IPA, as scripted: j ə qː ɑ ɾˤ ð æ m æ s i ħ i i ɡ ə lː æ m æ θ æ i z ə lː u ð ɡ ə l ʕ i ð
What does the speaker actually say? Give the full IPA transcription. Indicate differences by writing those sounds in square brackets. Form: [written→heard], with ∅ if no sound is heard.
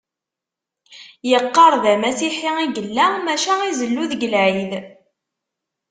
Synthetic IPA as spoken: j ə qː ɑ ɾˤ ð æ m æ s i ħ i i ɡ ə lː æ m æ [θ→ʃ] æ i z ə lː u ð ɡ ə l ʕ i ð